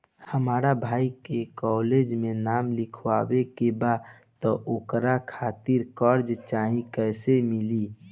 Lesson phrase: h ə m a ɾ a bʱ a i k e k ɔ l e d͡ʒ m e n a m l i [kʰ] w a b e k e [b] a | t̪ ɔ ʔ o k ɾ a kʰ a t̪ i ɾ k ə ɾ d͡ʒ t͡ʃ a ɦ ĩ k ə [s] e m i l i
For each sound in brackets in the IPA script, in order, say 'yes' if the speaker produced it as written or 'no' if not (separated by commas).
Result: yes, yes, yes